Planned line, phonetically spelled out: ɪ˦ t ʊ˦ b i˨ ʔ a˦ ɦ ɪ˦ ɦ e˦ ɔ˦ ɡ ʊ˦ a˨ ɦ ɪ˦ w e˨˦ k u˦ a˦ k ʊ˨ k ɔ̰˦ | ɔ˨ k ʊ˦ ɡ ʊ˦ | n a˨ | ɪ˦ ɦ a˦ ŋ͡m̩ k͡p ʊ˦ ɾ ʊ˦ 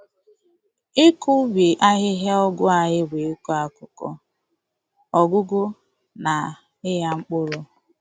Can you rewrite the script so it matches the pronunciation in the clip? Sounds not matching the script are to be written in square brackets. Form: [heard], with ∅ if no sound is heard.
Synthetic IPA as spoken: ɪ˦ [k] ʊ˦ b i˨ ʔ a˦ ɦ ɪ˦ ɦ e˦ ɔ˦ ɡ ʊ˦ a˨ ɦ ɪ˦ w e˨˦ k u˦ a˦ k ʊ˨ k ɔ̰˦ | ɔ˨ [ɡ] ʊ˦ ɡ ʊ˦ | n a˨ | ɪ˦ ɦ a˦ ŋ͡m̩ k͡p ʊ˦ ɾ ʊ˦